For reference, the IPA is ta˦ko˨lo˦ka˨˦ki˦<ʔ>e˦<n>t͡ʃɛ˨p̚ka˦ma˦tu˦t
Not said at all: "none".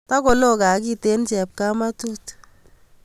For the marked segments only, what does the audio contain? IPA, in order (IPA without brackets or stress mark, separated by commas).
t, n